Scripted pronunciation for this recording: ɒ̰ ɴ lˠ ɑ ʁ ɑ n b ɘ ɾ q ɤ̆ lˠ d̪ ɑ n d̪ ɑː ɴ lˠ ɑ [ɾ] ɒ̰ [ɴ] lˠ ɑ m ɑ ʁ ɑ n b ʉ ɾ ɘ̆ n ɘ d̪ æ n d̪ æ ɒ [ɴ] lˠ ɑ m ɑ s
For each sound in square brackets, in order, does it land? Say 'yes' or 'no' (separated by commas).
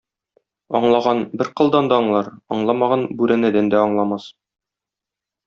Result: yes, yes, yes